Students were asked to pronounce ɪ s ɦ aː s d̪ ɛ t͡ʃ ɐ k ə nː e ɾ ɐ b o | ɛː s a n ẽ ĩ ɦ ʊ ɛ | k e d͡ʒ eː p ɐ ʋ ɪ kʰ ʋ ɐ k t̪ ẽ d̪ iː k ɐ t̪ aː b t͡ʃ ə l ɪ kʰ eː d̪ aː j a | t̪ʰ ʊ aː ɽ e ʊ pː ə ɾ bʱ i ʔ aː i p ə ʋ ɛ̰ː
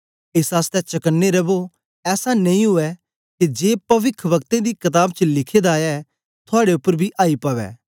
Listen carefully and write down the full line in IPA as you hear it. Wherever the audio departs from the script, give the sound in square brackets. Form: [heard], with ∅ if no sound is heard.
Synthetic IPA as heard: ɪ s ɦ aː s [t̪] ɛ t͡ʃ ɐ k ə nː e ɾ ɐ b o | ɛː s a n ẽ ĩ ɦ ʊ ɛ | k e d͡ʒ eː p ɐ ʋ ɪ kʰ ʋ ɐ k t̪ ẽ d̪ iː k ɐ t̪ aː b t͡ʃ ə l ɪ kʰ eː d̪ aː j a | t̪ʰ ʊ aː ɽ e ʊ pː ə ɾ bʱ i ʔ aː i p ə ʋ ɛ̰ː